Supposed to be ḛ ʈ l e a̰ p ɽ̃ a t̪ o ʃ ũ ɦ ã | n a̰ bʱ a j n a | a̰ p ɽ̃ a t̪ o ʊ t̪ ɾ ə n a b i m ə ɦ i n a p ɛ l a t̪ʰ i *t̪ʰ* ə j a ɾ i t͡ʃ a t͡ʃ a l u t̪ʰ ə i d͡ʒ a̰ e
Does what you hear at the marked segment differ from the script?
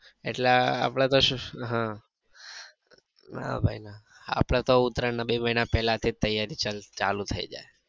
yes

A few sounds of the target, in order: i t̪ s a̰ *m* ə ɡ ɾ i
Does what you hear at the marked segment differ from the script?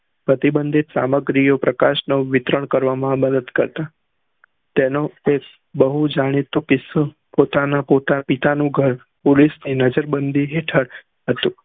no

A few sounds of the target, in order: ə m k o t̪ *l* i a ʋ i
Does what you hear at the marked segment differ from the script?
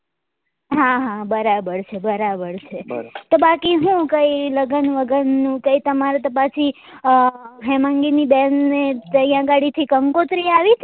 yes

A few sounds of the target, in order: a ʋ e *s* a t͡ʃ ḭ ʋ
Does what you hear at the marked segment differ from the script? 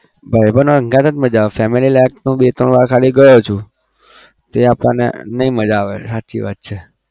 no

